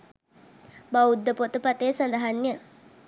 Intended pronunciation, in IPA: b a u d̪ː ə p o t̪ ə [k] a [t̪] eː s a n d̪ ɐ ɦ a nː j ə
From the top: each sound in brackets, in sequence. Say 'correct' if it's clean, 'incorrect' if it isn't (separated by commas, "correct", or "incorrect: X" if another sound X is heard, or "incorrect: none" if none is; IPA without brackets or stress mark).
incorrect: p, correct